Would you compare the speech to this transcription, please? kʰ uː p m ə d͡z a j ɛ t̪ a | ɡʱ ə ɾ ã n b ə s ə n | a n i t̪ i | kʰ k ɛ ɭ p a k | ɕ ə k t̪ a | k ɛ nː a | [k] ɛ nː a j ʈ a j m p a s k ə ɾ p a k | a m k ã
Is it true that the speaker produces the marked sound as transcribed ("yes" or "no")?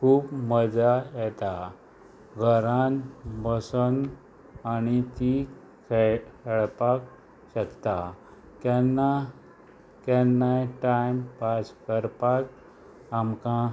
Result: yes